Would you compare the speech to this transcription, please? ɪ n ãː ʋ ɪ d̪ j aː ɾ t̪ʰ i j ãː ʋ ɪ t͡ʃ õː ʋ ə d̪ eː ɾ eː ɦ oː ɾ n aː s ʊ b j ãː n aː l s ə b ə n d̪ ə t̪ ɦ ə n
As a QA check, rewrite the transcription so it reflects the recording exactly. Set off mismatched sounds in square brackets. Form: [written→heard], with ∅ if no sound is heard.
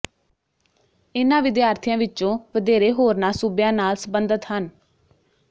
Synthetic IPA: ɪ n ãː ʋ ɪ d̪ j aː ɾ t̪ʰ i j ãː ʋ ɪ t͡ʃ õː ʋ ə d̪ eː ɾ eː ɦ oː ɾ n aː s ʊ b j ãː n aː l s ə b ə n d̪ ə t̪ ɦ ə n